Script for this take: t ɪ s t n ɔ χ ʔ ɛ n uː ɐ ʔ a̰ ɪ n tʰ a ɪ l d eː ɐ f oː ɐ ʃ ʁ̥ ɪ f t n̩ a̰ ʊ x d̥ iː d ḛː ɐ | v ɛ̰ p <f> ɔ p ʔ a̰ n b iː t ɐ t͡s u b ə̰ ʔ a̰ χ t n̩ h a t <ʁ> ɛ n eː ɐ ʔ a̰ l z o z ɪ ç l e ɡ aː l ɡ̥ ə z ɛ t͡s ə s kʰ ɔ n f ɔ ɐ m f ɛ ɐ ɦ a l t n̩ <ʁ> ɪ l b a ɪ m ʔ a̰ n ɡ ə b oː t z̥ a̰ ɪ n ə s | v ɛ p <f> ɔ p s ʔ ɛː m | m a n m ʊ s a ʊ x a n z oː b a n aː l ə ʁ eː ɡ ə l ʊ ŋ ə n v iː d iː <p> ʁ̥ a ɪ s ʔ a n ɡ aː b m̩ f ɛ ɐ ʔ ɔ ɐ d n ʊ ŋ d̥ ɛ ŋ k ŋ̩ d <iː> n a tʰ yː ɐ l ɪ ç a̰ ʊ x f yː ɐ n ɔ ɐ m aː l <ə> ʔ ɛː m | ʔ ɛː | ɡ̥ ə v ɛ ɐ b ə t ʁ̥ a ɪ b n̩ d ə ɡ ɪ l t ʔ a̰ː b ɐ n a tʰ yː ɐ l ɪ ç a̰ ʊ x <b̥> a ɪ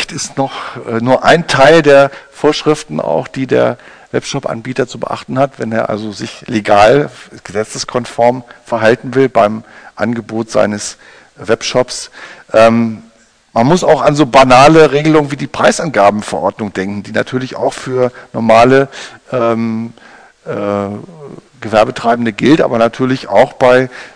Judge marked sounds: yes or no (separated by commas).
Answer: no, no, no, no, yes, yes, yes, yes